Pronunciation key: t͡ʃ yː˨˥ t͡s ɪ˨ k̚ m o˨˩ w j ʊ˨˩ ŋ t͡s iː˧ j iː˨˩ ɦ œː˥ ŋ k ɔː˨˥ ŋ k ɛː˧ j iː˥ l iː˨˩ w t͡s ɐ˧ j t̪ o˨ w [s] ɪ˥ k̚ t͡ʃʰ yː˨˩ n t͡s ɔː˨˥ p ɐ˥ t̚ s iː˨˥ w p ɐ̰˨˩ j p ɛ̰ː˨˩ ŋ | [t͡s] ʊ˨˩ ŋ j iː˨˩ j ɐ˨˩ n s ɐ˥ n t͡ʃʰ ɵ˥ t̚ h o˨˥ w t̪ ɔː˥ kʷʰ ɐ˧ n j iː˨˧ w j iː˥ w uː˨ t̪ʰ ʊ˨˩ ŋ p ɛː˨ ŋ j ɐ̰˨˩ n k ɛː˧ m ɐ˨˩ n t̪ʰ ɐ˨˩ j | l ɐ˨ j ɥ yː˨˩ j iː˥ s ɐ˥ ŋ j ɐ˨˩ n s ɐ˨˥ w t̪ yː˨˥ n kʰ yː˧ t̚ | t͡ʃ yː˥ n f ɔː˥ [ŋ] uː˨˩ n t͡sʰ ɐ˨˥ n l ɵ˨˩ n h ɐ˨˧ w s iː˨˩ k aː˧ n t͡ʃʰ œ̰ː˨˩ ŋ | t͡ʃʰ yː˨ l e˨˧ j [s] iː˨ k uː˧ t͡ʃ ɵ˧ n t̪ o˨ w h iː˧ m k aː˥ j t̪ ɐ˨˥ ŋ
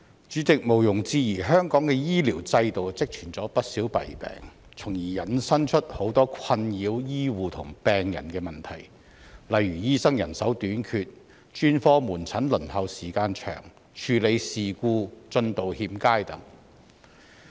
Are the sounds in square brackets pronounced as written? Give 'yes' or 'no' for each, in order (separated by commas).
no, no, no, yes